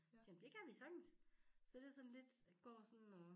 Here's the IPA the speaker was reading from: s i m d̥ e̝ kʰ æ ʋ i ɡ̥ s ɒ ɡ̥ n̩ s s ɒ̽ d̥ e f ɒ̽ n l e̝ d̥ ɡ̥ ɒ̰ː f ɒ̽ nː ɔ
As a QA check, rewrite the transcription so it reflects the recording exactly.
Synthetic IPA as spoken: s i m d̥ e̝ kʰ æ ʋ i s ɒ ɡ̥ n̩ s s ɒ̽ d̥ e s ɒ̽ n l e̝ d̥ ɡ̥ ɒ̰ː s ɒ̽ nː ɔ